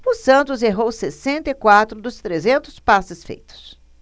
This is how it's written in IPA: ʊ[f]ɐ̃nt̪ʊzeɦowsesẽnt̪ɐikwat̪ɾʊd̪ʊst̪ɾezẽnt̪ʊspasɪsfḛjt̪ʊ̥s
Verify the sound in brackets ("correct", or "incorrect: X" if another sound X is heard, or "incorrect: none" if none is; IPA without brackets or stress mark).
incorrect: s